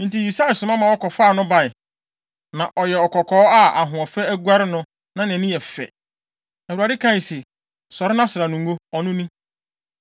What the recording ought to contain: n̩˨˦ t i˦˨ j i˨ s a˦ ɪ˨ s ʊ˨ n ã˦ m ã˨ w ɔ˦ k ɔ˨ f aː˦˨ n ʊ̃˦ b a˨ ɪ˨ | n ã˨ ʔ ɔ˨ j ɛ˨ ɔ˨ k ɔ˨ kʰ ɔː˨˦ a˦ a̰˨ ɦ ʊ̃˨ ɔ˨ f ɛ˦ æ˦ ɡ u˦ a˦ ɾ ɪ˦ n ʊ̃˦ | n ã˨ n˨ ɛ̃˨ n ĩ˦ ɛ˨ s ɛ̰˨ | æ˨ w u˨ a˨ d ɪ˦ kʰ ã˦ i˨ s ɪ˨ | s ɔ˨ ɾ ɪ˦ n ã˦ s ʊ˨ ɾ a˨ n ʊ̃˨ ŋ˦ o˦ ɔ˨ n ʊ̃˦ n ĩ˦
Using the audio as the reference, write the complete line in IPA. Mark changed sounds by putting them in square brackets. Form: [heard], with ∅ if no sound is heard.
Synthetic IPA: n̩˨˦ t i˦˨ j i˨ s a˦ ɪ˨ s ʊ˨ [m] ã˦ m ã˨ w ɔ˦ k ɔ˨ f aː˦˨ n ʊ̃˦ b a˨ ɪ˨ | n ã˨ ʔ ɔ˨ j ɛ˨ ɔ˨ k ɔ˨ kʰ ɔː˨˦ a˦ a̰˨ ɦ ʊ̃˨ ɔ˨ f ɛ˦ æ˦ ɡ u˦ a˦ ɾ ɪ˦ n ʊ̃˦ | n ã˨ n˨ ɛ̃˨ n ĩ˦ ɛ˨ [f] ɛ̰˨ | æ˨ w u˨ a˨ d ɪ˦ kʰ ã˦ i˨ s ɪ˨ | s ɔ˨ ɾ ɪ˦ n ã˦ s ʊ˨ ɾ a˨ n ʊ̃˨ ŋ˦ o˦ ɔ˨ n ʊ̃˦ n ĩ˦